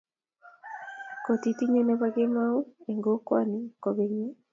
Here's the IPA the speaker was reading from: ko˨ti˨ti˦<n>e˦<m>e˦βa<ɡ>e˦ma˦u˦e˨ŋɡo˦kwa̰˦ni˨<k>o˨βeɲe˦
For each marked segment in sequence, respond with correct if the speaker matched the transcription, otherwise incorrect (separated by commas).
incorrect, incorrect, correct, correct